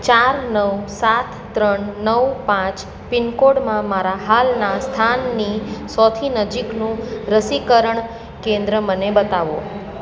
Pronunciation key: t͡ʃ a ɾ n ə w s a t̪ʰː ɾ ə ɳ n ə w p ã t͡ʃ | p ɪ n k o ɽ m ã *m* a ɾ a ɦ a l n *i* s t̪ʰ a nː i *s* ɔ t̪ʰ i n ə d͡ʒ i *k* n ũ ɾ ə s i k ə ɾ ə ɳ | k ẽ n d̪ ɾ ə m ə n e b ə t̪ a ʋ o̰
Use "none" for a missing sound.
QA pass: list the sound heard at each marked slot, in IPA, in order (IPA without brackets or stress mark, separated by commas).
m, a, s, k